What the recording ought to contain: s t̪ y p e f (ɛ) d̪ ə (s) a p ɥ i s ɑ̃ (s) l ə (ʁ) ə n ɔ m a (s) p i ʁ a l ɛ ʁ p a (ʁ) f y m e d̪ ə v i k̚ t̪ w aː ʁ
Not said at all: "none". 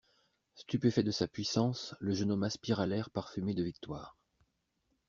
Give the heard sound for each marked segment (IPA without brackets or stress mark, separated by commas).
ɛ, s, s, ʒ, s, ʁ